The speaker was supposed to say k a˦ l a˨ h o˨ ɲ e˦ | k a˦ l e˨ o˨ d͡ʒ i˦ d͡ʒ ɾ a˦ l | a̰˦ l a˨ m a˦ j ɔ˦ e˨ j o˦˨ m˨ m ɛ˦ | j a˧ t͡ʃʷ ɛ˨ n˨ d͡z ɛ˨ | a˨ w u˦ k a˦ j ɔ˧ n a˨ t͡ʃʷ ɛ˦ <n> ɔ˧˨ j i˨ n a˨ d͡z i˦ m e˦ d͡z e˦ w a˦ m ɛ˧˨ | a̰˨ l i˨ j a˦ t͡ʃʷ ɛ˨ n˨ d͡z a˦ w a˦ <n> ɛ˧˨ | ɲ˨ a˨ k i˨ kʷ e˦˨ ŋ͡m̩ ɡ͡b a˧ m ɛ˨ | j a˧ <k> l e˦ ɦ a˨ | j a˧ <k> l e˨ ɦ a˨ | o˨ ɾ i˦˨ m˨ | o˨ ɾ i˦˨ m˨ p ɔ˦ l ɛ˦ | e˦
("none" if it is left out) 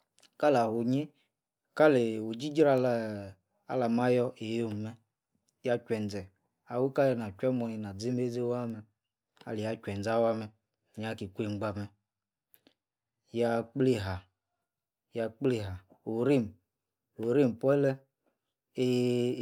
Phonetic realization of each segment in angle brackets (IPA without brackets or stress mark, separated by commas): m, m, k͡p, k͡p